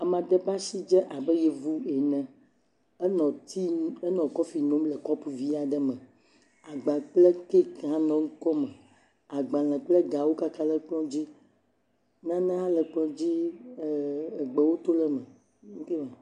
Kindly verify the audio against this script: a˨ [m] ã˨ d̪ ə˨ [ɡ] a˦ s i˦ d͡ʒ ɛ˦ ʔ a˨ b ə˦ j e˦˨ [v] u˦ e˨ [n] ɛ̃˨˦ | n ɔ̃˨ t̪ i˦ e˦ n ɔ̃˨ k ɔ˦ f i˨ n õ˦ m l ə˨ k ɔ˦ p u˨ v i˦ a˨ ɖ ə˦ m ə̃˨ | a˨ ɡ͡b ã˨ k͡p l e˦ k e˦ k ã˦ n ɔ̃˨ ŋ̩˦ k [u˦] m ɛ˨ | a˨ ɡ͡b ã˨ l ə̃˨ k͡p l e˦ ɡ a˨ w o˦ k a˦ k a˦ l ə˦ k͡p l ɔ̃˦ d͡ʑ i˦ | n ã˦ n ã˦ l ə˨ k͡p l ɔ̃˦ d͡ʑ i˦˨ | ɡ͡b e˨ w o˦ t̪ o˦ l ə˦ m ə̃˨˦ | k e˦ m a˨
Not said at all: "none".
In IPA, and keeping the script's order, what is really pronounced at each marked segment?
m, b, v, n, ɔ˦

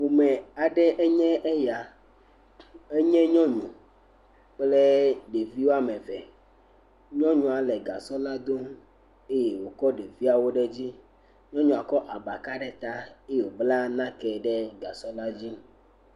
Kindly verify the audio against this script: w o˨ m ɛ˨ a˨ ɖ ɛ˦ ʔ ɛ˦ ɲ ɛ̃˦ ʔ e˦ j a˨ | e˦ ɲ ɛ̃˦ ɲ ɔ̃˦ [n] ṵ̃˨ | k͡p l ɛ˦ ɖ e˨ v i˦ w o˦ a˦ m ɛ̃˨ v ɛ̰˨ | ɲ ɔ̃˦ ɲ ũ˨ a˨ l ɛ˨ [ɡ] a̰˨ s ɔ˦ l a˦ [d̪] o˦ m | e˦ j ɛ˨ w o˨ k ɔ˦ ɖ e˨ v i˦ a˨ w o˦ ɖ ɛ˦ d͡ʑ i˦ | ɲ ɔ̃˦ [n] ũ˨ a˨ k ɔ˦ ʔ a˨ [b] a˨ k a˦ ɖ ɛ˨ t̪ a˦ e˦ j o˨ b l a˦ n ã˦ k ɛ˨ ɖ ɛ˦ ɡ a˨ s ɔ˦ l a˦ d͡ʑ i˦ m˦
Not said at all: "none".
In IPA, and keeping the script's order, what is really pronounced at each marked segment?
ɲ, ɡ, d̪, ɲ, b

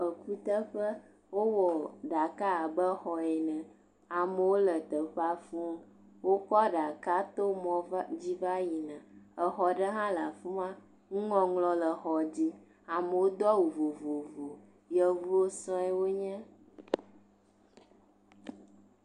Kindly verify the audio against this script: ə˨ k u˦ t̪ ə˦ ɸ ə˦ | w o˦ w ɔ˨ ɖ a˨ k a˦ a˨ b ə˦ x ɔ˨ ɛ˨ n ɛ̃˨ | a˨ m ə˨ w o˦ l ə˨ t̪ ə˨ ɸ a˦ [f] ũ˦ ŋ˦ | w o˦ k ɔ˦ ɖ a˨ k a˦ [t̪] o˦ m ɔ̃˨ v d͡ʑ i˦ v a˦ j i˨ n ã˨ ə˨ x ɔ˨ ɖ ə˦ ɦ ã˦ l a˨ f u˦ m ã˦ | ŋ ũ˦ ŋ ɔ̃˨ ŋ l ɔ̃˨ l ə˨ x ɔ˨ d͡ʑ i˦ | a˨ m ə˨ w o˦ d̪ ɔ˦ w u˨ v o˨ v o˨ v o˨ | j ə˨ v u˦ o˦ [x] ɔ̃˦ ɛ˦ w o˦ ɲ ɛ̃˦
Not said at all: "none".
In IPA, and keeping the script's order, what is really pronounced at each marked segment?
f, t̪, s

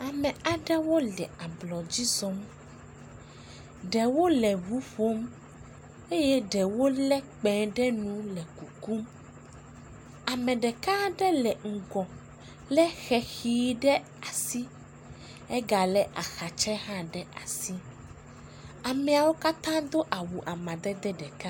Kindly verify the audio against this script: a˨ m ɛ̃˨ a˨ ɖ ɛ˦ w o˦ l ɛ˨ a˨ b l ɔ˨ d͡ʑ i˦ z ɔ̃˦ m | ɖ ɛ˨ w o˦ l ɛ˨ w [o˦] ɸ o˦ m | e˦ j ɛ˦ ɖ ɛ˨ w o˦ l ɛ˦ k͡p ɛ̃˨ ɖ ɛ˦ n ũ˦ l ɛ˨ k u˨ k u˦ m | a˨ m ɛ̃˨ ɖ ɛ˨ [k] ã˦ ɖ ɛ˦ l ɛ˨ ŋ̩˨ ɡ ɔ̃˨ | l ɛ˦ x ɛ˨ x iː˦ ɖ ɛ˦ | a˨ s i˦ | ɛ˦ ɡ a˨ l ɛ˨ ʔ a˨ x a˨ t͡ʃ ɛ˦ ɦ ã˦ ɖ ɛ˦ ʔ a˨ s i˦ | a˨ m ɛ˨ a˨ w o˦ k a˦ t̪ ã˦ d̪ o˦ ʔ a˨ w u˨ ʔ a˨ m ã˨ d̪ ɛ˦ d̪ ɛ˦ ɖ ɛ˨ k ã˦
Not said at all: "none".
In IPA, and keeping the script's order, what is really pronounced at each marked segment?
u˦, k

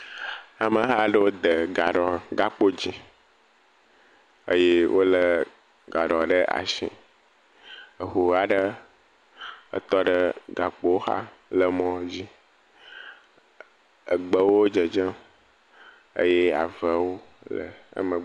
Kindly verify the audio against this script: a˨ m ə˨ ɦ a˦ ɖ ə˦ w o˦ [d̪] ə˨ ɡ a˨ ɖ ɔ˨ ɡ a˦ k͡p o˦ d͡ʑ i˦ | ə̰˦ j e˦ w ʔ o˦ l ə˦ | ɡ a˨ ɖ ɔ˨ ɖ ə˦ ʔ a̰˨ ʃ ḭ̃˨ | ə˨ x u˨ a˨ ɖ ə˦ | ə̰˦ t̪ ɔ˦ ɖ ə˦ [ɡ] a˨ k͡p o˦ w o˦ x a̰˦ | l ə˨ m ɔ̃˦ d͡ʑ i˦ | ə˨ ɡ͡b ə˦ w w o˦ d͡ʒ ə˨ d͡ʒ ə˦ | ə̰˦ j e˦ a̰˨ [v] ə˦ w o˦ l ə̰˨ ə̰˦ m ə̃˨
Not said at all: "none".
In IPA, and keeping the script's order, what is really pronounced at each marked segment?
d̪, ɡ, v

